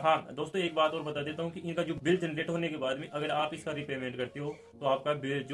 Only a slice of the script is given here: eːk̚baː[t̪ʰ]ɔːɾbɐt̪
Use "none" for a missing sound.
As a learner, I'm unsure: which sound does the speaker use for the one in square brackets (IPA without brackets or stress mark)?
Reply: t̪